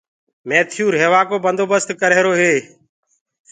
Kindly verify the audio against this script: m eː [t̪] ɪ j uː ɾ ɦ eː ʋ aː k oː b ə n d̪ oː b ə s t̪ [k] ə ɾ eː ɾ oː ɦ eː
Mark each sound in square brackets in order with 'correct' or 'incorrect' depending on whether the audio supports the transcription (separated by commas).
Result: incorrect, correct